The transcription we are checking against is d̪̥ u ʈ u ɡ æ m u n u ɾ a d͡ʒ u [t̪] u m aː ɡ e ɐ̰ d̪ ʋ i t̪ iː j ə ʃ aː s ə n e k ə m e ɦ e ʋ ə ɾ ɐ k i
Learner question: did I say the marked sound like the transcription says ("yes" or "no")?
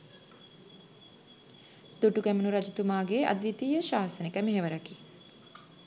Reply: yes